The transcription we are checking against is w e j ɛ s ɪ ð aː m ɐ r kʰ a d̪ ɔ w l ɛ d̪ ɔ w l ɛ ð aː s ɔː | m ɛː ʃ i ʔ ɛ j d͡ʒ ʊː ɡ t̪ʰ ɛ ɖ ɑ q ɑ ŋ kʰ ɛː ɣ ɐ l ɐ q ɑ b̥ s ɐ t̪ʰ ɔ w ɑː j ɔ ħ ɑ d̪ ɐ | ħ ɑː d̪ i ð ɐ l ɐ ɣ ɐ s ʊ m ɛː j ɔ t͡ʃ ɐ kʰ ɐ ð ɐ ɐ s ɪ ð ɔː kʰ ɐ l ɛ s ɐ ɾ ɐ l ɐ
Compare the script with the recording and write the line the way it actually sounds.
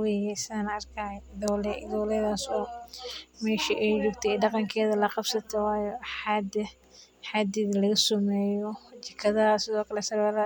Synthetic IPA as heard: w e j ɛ s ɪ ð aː n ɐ r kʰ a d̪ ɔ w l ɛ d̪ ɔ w l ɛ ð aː s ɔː | m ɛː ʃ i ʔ ɛ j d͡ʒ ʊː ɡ t̪ʰ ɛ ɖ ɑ q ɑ ŋ kʰ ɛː ð ɐ l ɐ q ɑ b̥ s ɐ t̪ʰ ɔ w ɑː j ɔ ħ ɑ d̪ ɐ | ħ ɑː d̪ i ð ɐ l ɐ ɣ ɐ s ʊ m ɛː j ɔ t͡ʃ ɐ kʰ ɐ ð ɐ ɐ s ɪ ð ɔː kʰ ɐ l ɛ s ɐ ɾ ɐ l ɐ